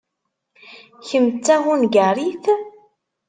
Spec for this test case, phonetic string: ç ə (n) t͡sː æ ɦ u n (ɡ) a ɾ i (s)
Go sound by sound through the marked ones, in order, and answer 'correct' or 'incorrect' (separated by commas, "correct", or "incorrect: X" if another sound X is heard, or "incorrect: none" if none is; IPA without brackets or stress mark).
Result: incorrect: m, correct, incorrect: θ